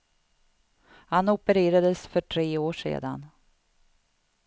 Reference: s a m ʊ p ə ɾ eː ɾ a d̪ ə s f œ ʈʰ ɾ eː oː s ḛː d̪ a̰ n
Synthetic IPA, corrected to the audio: h a n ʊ p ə ɾ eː ɾ a d̪ ə s f œ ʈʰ ɾ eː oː ʂ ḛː d̪ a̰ n